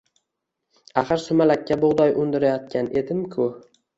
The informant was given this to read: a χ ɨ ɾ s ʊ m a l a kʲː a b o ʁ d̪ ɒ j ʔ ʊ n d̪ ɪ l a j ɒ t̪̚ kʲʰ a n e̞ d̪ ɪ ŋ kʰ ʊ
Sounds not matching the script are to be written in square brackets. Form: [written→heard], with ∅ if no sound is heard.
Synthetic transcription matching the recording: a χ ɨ ɾ s ʊ m a l a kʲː a b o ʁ d̪ ɒ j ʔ ʊ n d̪ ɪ [l→ɾ] a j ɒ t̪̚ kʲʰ a n e̞ d̪ ɪ [ŋ→m] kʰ ʊ